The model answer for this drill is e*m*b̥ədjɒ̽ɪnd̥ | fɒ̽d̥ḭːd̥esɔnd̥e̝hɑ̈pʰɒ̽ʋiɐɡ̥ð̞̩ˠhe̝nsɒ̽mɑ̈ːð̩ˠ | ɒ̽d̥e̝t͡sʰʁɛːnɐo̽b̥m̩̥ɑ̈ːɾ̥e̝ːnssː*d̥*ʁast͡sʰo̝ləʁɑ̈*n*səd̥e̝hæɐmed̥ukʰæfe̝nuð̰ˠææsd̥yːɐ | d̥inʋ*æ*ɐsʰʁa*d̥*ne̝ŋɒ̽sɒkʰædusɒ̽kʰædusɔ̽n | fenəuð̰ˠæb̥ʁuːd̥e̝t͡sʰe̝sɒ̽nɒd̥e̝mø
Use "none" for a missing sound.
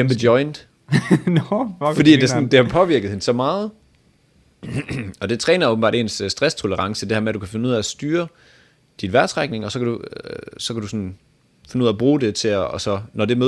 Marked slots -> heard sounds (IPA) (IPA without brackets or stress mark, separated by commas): m, d̥, ŋ, æ, ɡ̥